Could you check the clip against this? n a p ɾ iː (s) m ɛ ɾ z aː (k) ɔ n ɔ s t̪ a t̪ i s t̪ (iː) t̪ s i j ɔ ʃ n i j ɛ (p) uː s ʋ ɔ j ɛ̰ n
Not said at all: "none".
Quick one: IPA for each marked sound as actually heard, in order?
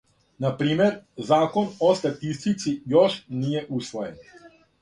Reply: none, k, i, ʔ

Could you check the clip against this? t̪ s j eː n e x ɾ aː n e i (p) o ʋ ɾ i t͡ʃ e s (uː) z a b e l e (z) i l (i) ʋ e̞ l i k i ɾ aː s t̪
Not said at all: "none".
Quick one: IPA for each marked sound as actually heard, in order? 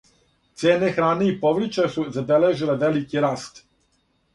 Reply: p, u, ʒ, e

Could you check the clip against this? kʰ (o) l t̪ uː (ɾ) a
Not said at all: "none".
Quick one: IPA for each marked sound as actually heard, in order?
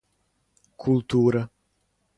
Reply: u, ɾ

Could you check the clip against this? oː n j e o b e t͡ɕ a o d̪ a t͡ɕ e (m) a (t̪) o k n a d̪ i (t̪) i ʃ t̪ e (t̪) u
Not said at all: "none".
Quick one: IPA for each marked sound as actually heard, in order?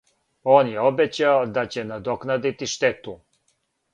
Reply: n, d̪, t̪, t̪

